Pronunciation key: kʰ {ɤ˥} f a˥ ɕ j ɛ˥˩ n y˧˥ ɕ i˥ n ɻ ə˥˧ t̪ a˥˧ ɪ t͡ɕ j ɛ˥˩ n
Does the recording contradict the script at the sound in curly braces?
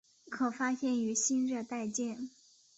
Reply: yes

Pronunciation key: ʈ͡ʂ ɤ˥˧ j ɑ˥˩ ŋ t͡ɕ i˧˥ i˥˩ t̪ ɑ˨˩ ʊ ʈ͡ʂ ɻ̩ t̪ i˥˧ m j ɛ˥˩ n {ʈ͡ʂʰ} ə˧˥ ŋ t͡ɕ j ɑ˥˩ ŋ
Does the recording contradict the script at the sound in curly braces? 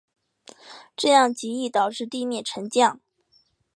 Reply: no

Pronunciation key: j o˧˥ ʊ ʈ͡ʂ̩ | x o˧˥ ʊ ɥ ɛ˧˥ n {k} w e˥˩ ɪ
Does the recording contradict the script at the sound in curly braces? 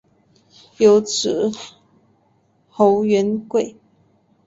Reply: no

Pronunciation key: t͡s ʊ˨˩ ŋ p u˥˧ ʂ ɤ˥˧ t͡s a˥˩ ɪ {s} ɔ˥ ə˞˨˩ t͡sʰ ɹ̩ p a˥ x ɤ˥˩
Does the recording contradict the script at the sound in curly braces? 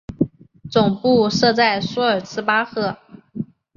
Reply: no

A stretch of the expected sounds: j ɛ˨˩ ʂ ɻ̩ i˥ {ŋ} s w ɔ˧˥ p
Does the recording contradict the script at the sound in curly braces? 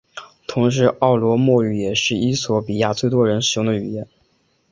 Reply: yes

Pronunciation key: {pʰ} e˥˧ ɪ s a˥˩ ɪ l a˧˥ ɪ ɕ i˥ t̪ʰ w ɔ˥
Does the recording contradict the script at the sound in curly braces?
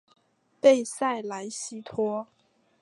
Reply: yes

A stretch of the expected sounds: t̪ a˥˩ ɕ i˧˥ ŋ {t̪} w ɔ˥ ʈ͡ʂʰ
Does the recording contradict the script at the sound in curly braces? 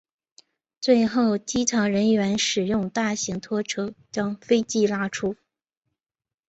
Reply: yes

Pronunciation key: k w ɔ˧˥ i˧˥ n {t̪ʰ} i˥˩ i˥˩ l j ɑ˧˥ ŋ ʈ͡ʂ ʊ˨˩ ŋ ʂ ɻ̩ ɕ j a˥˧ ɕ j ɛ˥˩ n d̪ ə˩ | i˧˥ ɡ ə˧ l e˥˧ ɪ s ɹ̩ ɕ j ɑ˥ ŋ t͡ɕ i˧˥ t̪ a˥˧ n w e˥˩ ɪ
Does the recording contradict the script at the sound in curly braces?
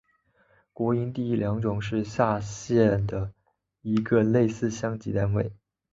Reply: yes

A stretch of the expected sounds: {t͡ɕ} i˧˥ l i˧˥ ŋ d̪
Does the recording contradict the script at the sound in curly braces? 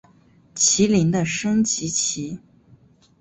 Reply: yes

